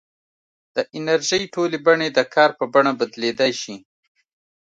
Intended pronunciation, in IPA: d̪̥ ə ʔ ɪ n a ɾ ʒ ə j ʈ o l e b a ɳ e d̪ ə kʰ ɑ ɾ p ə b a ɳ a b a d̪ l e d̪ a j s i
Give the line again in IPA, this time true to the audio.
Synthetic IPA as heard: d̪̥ ə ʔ ɪ n a ɾ ʒ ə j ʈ o l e b a ɳ e d̪ ə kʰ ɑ ɾ p ə b a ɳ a b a d̪ l e d̪ a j ʃ i